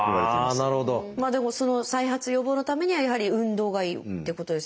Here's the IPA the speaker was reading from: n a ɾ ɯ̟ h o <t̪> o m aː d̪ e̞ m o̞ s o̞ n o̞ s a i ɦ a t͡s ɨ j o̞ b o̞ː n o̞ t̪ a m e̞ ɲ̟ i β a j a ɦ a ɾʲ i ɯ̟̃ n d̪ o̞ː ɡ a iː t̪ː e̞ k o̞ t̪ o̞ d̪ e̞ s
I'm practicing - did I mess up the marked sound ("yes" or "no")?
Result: yes